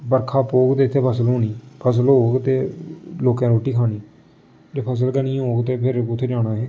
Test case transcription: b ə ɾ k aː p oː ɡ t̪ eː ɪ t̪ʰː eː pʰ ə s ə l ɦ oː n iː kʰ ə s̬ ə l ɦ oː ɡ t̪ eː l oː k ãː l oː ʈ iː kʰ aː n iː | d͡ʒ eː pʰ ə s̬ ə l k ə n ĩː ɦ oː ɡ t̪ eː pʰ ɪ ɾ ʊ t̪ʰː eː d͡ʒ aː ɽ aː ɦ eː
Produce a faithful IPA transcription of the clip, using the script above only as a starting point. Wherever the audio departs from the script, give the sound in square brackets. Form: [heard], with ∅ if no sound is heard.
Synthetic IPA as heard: b ə ɾ [kʰ] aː p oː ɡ t̪ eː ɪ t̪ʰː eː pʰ ə s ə l ɦ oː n iː [pʰ] ə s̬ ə l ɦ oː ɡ t̪ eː l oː k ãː [ɾ] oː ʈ iː kʰ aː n iː | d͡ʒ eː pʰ ə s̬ ə l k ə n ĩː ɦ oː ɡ t̪ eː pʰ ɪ ɾ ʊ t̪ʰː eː d͡ʒ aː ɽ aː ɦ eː

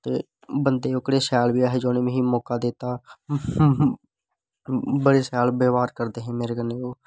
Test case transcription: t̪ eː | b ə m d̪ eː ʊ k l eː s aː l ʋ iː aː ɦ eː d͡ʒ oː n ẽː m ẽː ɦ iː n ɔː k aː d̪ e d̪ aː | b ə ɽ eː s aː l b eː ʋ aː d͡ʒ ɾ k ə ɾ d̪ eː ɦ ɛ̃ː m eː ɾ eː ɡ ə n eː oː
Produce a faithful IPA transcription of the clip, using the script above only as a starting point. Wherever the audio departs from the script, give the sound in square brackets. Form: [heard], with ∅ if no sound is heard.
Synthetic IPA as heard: t̪ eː | b ə [n] d̪ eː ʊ k [ɽ] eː s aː l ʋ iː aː ɦ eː d͡ʒ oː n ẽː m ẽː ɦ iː [m] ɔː k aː d̪ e [t̪] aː | b ə ɽ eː s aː l b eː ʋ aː [∅] ɾ k ə ɾ d̪ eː ɦ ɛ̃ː m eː ɾ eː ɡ ə n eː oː

